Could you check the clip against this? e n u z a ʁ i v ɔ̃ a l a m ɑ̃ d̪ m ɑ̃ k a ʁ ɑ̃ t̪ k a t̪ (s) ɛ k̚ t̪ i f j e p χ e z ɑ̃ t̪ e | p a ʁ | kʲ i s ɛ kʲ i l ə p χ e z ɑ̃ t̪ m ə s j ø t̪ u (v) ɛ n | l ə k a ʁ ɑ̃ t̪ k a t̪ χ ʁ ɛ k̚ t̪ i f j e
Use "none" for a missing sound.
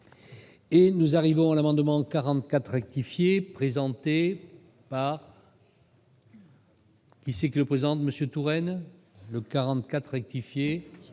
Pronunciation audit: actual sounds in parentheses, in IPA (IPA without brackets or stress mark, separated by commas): χ, ʁ